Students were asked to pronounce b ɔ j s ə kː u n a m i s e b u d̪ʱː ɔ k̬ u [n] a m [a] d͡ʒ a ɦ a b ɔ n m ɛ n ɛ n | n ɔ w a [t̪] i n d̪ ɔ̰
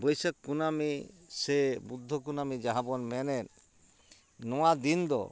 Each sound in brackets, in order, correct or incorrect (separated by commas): correct, incorrect, incorrect